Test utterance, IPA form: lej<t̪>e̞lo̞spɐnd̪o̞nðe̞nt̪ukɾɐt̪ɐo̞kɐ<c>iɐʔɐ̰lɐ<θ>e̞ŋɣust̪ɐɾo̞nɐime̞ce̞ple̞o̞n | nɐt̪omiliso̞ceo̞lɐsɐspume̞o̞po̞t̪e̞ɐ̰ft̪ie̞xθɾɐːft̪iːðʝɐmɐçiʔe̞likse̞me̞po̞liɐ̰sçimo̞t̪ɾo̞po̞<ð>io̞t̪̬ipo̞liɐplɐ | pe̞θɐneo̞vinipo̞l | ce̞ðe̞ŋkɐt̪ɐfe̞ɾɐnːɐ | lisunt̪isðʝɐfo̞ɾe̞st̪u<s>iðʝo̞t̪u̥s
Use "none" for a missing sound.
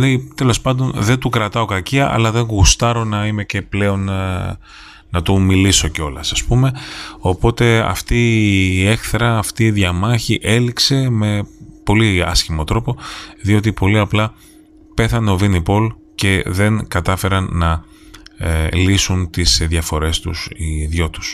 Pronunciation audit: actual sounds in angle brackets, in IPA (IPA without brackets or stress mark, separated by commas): t̪, c, ð, ð, s